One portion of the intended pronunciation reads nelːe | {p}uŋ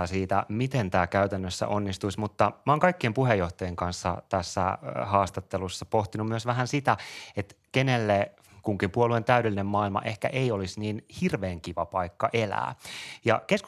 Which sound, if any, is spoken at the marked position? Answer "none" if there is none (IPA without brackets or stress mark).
k